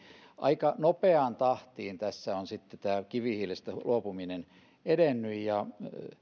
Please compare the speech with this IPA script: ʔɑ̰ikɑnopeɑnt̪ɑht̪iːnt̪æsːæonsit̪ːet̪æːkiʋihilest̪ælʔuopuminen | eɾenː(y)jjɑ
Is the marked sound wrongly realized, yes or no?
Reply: no